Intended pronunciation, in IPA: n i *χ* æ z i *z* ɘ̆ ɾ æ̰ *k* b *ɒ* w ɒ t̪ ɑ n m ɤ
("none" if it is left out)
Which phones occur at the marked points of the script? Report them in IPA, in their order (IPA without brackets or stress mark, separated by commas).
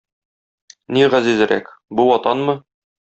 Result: ʁ, z, k, u